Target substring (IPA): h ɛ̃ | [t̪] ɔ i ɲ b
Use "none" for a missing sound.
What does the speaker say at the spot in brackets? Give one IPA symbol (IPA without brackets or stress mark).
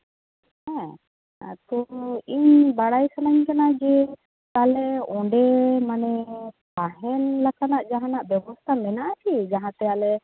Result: t̪